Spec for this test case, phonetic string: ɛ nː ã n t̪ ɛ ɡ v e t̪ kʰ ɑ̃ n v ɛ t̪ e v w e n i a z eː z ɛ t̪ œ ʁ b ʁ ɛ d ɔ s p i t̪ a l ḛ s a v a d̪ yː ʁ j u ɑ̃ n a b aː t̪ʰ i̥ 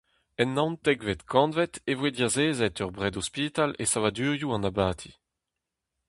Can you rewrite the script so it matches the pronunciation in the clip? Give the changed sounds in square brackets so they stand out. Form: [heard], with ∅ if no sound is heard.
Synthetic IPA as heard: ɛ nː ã n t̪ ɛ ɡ v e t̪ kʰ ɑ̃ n v ɛ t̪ e v w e [d] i a z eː z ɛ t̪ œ ʁ b ʁ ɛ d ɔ s p i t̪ a l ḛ s a v a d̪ yː ʁ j u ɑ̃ n a b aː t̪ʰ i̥